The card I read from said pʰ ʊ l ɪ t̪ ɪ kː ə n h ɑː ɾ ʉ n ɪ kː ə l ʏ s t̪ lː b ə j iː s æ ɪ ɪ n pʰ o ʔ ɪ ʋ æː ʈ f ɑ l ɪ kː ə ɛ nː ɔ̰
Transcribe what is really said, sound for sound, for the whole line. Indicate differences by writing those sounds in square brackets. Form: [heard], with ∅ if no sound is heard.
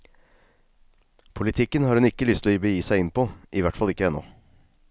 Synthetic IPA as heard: pʰ ʊ l ɪ [t̪ʰ] ɪ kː ə n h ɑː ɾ ʉ n ɪ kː ə l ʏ s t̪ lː b ə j iː s æ ɪ ɪ n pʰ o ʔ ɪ ʋ [æ] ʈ f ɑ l ɪ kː ə ɛ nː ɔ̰

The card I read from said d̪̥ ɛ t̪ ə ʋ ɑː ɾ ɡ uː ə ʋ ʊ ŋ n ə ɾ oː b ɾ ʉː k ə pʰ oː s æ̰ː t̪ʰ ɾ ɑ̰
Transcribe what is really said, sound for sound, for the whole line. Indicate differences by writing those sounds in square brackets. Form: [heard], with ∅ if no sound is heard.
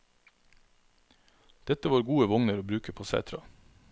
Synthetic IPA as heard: d̪̥ ɛ t̪ ə ʋ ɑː ɾ ɡ uː ə ʋ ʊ ŋ n ə ɾ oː b ɾ ʉː k ə pʰ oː s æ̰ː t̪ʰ ɾ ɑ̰

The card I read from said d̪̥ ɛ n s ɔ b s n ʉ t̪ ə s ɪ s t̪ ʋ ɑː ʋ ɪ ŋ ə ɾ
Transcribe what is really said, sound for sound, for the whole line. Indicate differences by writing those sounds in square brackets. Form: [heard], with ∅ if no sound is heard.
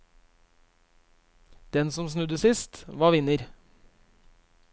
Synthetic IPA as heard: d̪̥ ɛ n s ɔ [m] s n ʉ [d̪] ə s ɪ s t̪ ʋ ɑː ʋ ɪ [n] ə ɾ

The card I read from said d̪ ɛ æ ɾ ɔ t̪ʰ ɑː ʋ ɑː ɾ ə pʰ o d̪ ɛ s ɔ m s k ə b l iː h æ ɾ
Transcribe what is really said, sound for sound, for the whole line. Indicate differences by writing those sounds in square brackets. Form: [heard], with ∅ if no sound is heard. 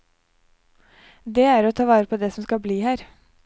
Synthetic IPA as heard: d̪ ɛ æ ɾ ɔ t̪ʰ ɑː ʋ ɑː ɾ ə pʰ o d̪ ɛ s ɔ m s k [ɑ] b l iː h [æː] ɾ

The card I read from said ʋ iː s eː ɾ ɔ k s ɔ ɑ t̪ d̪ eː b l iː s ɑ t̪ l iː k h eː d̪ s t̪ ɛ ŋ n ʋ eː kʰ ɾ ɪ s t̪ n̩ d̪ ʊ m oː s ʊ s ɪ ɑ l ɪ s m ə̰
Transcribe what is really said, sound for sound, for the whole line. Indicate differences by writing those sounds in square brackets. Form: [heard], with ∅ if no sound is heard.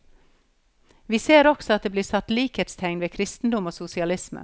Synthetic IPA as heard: ʋ iː s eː ɾ ɔ k s ɔ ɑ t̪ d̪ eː b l iː s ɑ t̪ l iː k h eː [t̪] s [t̪ʰ] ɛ ŋ n ʋ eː kʰ ɾ ɪ s t̪ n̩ d̪ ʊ m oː s ʊ s ɪ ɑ l ɪ s m ə̰

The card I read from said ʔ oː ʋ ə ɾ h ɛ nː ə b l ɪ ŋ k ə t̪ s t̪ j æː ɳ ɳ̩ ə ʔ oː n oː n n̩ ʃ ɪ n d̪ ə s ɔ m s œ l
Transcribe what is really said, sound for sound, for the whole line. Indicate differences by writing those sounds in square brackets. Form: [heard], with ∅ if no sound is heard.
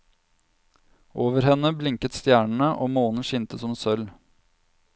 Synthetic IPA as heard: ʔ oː ʋ ə ɾ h ɛ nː ə b l ɪ ŋ k ə t̪ s t̪ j æː ɳ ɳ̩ ə ʔ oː [m] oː n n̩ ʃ ɪ n [t̪] ə s ɔ m s œ l

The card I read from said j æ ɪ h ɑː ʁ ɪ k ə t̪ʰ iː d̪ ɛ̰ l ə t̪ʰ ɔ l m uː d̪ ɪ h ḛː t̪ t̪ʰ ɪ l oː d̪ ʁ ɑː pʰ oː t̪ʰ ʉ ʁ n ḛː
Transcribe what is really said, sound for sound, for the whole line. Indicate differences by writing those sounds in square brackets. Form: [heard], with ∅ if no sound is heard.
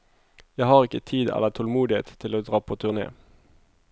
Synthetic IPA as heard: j æ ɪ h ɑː ʁ ɪ k ə t̪ʰ iː d̪ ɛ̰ l ə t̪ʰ ɔ l m uː d̪ ɪ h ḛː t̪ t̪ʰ ɪ l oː d̪ ʁ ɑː pʰ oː t̪ʰ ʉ ʁ n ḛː

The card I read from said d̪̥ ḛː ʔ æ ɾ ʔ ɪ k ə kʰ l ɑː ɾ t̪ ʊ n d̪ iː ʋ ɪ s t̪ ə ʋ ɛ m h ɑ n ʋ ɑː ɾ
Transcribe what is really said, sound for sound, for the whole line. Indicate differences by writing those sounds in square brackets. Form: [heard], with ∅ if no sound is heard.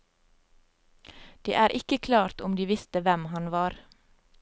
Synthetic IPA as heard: d̪̥ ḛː ʔ [æː] ɾ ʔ ɪ k ə kʰ l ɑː ɾ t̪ ʊ [m] d̪ iː ʋ ɪ s t̪ ə ʋ ɛ m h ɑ n ʋ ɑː ɾ

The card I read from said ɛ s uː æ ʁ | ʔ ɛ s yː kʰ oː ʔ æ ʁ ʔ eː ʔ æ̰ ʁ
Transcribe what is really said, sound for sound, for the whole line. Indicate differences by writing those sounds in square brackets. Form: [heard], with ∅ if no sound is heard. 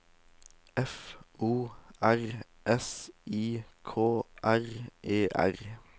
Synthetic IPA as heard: ɛ [f] uː æ ʁ | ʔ ɛ s [iː] kʰ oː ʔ æ ʁ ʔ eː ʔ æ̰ ʁ

